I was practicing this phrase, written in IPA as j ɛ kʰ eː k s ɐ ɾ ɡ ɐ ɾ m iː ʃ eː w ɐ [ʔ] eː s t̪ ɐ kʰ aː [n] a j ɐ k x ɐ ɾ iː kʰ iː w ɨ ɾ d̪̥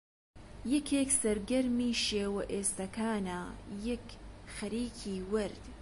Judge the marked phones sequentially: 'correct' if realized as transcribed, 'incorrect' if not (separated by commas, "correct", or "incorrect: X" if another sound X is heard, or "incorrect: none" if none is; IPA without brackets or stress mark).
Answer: correct, correct